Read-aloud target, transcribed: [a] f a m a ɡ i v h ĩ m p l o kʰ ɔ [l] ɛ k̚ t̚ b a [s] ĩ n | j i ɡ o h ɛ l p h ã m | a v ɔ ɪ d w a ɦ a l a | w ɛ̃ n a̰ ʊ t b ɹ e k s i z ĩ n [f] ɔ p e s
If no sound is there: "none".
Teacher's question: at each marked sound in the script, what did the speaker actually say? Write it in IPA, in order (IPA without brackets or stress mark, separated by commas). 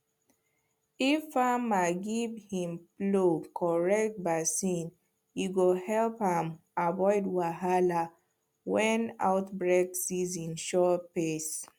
i, ɹ, s, ʃ